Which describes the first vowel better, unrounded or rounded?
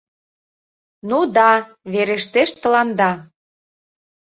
rounded